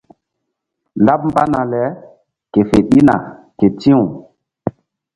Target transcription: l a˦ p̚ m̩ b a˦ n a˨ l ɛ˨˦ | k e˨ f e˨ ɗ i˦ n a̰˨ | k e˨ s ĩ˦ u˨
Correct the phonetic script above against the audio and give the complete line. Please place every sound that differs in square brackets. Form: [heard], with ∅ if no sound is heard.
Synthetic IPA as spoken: l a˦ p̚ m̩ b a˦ n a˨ l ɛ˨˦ | k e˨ f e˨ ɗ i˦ n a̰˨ | k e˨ [t] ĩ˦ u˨